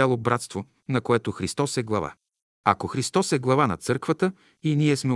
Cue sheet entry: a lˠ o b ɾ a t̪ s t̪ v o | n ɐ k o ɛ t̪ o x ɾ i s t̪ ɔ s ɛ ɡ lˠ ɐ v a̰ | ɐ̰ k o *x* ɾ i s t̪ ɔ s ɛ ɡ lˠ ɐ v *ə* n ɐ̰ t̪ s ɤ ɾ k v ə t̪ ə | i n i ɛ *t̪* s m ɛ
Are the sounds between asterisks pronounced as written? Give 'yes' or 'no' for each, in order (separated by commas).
yes, no, no